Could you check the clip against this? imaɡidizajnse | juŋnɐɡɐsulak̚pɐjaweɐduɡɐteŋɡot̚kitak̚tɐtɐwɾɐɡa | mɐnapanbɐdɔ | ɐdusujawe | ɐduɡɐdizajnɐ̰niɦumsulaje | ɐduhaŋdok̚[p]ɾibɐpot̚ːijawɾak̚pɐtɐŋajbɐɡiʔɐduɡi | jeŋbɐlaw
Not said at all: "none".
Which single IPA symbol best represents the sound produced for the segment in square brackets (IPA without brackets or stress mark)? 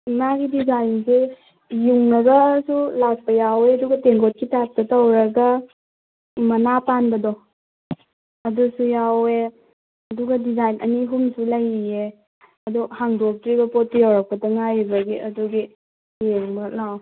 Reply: t